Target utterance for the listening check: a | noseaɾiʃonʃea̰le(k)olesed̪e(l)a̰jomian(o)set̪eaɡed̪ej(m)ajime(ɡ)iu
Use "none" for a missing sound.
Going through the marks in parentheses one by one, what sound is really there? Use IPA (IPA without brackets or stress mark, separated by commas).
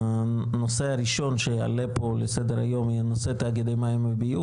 p, ɾ, o, m, b